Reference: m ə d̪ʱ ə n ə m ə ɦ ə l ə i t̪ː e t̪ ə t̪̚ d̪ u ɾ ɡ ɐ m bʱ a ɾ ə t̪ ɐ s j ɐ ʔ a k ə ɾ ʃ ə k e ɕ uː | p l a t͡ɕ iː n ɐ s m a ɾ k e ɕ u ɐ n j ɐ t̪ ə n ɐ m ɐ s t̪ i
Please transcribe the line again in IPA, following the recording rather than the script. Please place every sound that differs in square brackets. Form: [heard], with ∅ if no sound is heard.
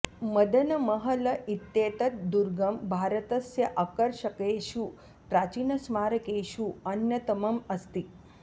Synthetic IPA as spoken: m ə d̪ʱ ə n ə m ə ɦ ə l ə i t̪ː e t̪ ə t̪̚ d̪ u ɾ ɡ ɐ m bʱ a ɾ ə t̪ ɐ s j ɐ ʔ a k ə ɾ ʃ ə k e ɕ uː | p [ɾ] a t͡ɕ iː n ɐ s m a ɾ k e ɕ u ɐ n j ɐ t̪ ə [m] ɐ m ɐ s t̪ i